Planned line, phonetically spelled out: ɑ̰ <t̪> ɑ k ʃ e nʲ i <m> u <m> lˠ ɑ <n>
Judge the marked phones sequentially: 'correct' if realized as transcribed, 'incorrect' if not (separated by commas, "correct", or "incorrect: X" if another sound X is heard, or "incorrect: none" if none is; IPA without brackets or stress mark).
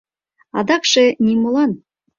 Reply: incorrect: d̪, correct, incorrect: none, correct